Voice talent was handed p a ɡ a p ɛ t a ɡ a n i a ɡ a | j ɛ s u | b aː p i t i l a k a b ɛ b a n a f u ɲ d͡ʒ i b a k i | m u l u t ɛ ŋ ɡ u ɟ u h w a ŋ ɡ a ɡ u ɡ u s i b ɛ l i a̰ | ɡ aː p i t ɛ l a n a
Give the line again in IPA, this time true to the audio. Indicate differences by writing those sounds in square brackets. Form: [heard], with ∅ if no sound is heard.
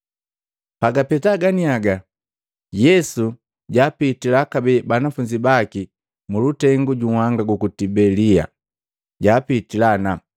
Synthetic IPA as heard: p a ɡ a p ɛ t a ɡ a n i a ɡ a | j ɛ s u | [ɟ] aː p i t i l a k a b ɛ b a n a f u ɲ d͡ʒ i b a k i | m u l u t ɛ ŋ ɡ u ɟ u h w a ŋ ɡ a ɡ u [k] u [t] i b ɛ l i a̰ | [ɟ] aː p i t [i] l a n a